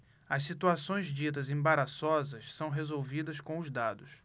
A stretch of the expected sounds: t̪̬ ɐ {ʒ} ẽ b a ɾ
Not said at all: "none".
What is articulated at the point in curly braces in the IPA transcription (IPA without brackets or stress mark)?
z